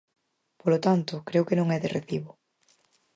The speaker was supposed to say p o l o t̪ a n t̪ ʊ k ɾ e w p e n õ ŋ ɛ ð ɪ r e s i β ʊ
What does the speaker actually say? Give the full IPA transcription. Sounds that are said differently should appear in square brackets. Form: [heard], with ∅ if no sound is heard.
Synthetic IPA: p o l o t̪ a n t̪ ʊ k ɾ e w [k] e n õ ŋ ɛ ð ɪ r e [θ] i β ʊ